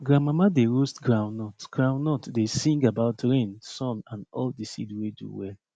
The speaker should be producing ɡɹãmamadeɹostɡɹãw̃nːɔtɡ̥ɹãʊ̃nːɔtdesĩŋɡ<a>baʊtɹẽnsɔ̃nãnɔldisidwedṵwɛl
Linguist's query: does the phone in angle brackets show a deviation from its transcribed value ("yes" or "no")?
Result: no